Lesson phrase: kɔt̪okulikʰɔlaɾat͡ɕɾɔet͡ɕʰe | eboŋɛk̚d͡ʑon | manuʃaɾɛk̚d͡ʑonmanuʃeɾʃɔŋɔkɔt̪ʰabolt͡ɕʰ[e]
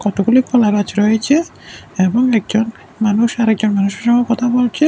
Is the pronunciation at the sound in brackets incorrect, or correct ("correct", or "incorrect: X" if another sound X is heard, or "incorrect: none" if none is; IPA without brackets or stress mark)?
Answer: correct